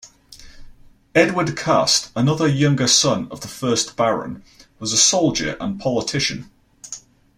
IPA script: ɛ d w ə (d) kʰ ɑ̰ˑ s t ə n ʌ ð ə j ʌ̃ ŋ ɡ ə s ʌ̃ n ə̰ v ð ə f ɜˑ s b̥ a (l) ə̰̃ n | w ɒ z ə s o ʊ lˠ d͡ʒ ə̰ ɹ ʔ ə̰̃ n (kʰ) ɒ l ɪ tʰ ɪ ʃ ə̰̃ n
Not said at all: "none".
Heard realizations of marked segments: d, ɹ, pʰ

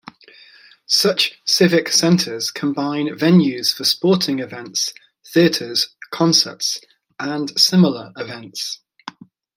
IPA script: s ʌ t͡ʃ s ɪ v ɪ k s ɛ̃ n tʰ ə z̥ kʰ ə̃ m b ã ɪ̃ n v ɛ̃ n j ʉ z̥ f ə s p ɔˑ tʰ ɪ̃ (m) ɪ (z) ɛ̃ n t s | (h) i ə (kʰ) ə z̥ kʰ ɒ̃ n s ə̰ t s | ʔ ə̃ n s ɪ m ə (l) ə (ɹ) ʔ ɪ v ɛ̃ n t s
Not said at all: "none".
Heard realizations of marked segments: ŋ, v, θ, tʰ, l, ɹ

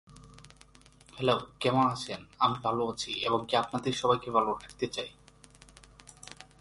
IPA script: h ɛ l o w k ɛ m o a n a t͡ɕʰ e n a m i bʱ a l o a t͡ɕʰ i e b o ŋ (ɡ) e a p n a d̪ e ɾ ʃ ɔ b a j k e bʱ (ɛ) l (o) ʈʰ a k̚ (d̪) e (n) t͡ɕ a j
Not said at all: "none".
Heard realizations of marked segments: k, a, o, t̪, none

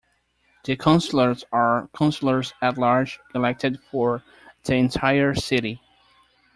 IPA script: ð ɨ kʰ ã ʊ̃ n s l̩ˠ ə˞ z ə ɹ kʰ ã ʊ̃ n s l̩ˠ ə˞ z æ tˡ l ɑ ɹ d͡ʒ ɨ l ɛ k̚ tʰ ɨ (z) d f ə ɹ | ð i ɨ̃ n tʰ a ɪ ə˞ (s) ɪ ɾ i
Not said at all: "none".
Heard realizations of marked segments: none, s

